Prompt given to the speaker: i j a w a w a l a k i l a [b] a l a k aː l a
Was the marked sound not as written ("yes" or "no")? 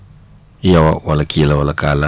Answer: yes